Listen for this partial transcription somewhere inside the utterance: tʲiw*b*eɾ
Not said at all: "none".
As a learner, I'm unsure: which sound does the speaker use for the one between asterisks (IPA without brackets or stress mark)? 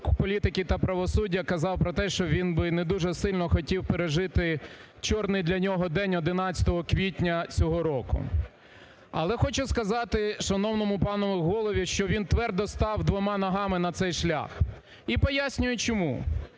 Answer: p